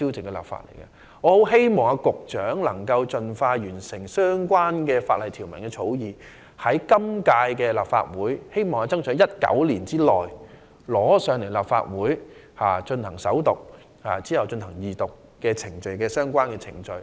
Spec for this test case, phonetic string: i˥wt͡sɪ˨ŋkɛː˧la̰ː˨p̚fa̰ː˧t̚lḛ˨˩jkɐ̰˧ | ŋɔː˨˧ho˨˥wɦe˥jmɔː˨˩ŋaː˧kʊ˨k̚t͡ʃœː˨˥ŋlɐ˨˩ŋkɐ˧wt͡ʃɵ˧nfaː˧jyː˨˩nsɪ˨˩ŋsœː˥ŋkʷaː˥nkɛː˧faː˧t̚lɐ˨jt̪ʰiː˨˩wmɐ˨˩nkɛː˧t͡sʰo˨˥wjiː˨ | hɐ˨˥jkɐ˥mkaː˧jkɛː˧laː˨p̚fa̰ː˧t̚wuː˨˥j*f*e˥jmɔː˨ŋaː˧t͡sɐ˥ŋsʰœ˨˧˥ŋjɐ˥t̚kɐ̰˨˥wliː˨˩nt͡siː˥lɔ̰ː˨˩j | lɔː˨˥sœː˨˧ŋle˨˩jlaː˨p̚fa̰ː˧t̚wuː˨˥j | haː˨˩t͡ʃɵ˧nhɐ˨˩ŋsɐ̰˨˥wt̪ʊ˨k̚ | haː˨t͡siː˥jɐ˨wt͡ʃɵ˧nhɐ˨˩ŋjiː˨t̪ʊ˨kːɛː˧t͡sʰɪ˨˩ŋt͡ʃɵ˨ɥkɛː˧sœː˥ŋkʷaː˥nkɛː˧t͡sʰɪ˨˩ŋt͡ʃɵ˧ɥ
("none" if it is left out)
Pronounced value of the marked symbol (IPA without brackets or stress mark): h